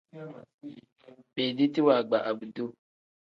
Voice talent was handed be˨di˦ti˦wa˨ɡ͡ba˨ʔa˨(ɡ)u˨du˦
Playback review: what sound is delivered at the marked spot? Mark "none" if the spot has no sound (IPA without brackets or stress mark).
b